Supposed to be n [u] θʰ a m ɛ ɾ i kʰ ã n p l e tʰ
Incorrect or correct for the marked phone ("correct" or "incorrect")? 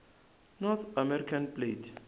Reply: incorrect